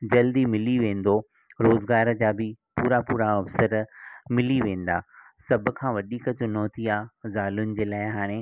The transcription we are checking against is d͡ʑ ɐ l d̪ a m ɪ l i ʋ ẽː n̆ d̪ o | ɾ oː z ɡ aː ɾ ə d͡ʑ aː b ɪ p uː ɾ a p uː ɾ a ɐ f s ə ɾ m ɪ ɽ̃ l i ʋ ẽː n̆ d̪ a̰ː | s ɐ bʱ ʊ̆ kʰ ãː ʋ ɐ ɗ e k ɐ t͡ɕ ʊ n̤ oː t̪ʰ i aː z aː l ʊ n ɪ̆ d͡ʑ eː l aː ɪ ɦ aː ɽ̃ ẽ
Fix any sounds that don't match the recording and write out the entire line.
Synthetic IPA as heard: d͡ʑ ɐ l d̪ i m ɪ l i ʋ ẽː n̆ d̪ o | ɾ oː z ɡ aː ɾ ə d͡ʑ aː b ɪ p uː ɾ a p uː ɾ a ɐ f s ə ɾ m ɪ l i ʋ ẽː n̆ d̪ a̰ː | s ɐ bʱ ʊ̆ kʰ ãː ʋ ɐ ɗ i k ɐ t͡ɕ ʊ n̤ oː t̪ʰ i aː z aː l ʊ n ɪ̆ d͡ʑ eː l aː ɪ ɦ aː ɽ̃ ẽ